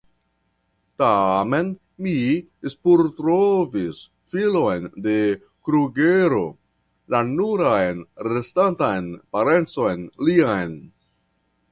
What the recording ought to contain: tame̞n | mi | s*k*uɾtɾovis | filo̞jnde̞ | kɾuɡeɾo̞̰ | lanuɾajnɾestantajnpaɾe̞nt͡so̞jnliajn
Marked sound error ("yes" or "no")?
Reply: yes